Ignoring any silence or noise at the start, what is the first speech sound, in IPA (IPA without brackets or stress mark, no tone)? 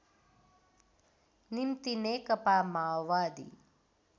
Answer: n